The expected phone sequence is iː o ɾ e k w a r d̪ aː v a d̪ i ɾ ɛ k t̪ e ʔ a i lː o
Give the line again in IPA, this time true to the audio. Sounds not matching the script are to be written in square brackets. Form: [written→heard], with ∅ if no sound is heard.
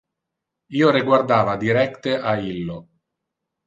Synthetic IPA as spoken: iː o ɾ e [k→ɡ] w a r d̪ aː v a d̪ i ɾ ɛ k t̪ e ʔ a i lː o